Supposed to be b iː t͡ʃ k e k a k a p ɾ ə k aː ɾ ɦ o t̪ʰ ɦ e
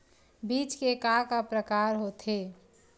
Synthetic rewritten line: b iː t͡ʃ k e k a k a p ɾ ə k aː ɾ ɦ o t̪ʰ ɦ e